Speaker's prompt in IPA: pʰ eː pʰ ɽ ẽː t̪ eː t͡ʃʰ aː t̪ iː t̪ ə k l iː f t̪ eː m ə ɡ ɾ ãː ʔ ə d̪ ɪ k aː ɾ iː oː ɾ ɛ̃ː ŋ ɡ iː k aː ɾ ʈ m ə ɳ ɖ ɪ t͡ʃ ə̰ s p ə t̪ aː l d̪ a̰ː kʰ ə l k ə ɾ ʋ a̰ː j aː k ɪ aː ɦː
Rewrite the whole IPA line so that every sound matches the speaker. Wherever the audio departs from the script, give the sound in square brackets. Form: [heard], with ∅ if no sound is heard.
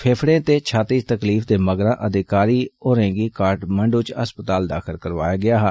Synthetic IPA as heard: pʰ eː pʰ ɽ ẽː t̪ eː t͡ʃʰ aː t̪ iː t̪ ə k l iː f [d̪] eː m ə ɡ ɾ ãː ʔ ə d̪ ɪ k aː ɾ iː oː ɾ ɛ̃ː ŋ ɡ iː k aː ɾ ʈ m ə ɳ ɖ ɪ t͡ʃ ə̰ s p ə t̪ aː l d̪ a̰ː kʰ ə l k ə ɾ ʋ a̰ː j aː [ɡ] ɪ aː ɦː

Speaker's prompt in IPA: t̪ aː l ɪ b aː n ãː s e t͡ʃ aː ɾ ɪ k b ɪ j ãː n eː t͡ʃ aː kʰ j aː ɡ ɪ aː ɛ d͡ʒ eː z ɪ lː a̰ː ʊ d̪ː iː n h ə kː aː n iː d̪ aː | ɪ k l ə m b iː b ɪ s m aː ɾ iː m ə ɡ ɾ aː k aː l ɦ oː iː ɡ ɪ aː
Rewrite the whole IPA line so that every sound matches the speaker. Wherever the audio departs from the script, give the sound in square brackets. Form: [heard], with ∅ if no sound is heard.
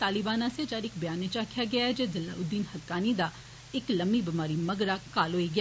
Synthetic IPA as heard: t̪ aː l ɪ b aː n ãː s e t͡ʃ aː ɾ ɪ k b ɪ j [aː] n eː t͡ʃ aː kʰ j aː ɡ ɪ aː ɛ d͡ʒ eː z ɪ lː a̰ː ʊ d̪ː iː n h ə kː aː n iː d̪ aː | ɪ k l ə m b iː b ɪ [∅] m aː ɾ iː m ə ɡ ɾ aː k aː l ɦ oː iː ɡ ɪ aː

